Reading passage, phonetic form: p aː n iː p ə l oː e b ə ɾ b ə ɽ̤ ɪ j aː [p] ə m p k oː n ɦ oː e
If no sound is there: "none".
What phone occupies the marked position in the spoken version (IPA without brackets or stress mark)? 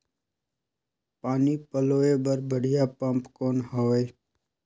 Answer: p